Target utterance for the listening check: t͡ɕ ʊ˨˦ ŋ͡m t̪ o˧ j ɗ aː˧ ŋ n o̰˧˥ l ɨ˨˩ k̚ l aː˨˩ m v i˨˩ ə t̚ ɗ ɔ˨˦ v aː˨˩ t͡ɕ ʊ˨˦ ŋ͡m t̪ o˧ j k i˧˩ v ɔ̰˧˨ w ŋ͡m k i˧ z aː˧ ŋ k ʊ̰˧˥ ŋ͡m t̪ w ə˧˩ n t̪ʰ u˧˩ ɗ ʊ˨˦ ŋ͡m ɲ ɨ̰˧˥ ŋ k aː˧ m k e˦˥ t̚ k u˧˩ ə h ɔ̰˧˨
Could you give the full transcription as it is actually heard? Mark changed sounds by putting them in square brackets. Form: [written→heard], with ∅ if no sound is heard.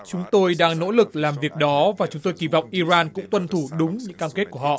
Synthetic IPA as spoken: t͡ɕ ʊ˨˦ ŋ͡m t̪ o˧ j ɗ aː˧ ŋ n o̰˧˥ l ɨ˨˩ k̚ l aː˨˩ m v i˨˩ ə [t̚→k̚] ɗ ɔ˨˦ v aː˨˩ t͡ɕ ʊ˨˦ ŋ͡m t̪ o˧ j k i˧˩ v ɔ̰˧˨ w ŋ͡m [k→ʔ] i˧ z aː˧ [ŋ→n] k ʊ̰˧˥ ŋ͡m t̪ w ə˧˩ n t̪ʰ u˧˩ ɗ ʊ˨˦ ŋ͡m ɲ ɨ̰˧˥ ŋ k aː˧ m k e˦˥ t̚ k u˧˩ ə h ɔ̰˧˨